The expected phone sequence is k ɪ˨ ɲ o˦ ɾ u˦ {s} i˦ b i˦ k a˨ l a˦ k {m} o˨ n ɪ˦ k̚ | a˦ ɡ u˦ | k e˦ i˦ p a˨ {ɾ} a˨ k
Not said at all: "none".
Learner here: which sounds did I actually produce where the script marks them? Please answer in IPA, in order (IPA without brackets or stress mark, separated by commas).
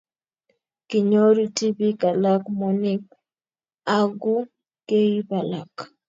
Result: t, m, l